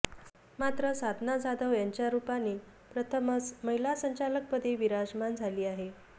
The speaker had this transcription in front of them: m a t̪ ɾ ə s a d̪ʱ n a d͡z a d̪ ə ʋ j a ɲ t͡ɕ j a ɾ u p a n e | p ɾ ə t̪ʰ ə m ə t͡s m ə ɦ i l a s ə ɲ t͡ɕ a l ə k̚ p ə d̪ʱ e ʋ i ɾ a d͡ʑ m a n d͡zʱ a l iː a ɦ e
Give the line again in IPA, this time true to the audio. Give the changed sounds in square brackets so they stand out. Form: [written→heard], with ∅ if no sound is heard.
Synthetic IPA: m a t̪ ɾ ə s a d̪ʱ n a d͡z a d̪ ə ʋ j a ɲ t͡ɕ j a ɾ u p a n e | p ɾ ə t̪ʰ ə m ə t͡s m ə ɦ i l a s ə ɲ t͡ɕ a l ə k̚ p ə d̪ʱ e ʋ i ɾ a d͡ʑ m a n d͡zʱ a l iː a ɦ e